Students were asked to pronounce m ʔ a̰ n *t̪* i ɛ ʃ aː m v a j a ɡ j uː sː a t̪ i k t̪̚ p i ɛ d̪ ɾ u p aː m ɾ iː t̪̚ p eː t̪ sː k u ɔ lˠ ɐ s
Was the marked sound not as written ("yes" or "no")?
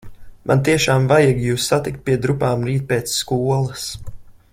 no